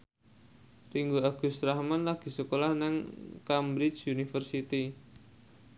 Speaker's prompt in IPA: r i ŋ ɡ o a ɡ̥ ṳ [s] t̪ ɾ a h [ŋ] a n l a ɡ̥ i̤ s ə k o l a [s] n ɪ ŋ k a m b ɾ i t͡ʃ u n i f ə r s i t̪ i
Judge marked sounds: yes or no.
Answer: yes, no, no

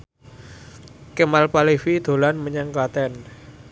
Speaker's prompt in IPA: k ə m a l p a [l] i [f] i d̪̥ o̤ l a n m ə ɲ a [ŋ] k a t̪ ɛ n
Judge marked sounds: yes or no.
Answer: yes, yes, yes

